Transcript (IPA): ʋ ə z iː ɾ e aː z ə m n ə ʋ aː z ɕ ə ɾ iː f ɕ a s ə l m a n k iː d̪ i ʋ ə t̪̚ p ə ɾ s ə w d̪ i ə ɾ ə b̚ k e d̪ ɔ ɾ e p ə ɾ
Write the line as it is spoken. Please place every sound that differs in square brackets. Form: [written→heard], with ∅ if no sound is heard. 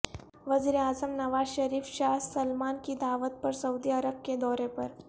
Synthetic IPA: ʋ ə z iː ɾ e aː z ə m n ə ʋ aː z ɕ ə ɾ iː f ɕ a s ə l m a n k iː d̪ [i→a] ʋ ə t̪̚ p ə ɾ s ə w d̪ i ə ɾ ə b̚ k e d̪ ɔ ɾ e p ə ɾ